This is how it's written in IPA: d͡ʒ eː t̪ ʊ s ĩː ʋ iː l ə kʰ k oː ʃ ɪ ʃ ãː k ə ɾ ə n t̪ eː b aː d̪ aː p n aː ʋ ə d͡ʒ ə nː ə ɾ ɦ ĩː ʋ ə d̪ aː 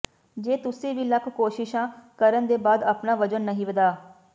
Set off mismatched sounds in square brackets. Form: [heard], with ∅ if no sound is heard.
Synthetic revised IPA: d͡ʒ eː t̪ ʊ s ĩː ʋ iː l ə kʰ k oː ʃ ɪ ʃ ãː k ə ɾ ə n [d̪] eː b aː d̪ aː p n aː ʋ ə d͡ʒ ə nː ə [∅] ɦ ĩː ʋ ə d̪ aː